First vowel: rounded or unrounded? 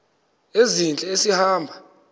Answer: unrounded